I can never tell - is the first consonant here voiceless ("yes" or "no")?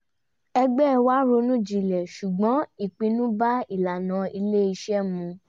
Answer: no